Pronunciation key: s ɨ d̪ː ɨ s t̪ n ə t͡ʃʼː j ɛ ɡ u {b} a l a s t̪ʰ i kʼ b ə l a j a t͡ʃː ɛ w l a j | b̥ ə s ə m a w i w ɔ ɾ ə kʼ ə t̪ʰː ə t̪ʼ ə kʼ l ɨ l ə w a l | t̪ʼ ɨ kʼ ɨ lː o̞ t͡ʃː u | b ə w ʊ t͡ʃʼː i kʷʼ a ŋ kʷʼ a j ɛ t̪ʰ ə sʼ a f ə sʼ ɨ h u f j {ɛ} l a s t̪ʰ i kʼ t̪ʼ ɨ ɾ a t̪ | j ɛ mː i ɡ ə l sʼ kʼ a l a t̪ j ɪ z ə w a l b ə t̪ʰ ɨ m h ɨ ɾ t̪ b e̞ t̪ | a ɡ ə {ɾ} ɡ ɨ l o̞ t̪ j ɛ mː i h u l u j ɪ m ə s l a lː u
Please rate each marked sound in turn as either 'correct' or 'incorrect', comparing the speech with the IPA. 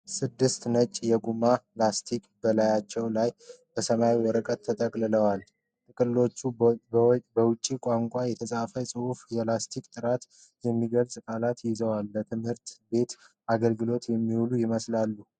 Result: incorrect: m, correct, incorrect: l

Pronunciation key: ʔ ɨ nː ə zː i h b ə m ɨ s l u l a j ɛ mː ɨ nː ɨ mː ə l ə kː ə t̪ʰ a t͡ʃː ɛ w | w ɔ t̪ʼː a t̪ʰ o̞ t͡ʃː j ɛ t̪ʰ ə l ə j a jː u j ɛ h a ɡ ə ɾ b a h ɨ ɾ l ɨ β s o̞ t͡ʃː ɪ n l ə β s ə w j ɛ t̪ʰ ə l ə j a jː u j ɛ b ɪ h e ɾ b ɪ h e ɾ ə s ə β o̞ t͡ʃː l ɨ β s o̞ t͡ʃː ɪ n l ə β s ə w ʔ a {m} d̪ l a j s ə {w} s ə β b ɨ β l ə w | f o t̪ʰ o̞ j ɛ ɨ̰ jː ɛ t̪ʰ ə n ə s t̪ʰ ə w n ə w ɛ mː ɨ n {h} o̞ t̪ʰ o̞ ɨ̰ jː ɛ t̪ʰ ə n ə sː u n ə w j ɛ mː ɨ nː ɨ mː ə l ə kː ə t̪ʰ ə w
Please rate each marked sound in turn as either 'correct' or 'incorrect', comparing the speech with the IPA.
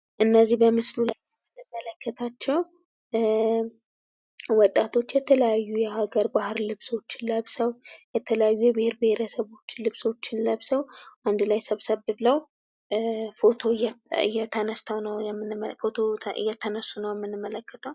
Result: incorrect: n, incorrect: β, incorrect: f

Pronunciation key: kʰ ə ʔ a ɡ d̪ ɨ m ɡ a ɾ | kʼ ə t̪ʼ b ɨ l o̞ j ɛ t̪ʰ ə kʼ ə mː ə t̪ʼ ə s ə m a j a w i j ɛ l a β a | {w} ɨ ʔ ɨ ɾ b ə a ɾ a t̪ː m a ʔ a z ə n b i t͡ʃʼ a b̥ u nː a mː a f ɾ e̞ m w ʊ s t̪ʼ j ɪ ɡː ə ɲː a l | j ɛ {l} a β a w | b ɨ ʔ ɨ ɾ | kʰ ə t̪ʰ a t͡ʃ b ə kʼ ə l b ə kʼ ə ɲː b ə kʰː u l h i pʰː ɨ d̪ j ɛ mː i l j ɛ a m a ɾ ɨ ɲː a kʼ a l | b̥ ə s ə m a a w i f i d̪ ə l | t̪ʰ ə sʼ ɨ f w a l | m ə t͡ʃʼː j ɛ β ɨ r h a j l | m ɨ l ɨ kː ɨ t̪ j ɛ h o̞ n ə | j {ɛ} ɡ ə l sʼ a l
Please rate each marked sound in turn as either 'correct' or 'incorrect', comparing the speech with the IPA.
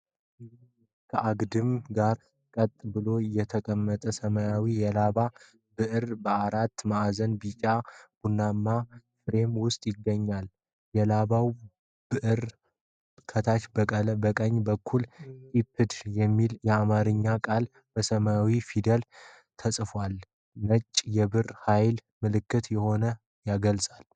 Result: incorrect: b, correct, incorrect: a

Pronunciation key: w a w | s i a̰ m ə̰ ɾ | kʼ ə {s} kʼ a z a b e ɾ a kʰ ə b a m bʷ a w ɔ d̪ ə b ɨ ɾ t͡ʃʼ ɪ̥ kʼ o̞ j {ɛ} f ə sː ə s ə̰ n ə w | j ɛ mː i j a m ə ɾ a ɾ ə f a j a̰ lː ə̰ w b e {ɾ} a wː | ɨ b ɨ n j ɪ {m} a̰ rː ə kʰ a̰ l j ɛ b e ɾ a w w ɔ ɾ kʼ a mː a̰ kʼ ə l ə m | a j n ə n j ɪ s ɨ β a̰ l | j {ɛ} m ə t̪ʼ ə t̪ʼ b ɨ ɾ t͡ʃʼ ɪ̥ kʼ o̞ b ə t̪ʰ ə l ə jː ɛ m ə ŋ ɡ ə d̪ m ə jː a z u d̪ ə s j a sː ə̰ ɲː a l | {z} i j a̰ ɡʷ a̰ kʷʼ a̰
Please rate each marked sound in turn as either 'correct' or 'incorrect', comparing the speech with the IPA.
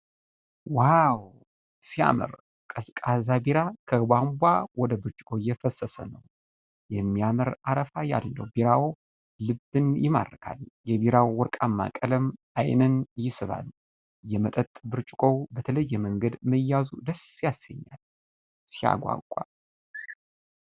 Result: correct, correct, correct, correct, correct, incorrect: s

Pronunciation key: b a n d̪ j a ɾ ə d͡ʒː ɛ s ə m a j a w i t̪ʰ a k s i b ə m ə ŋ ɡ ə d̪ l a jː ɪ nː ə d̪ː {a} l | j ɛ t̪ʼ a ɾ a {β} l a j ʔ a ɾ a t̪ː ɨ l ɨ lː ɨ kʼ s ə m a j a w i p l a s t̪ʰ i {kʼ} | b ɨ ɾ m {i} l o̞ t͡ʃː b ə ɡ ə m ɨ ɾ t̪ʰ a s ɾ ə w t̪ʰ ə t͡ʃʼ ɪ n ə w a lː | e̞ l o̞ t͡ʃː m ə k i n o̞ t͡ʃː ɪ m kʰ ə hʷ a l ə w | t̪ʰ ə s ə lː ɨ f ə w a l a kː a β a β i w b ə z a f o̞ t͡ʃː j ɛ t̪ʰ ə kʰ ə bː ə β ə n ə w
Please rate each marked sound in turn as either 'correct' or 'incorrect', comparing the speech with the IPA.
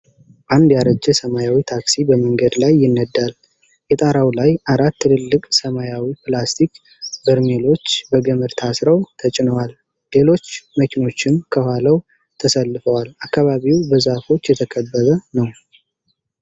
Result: correct, incorrect: w, incorrect: k, incorrect: e

